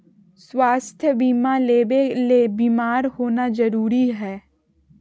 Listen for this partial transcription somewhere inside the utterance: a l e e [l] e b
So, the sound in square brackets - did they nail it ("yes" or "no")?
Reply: yes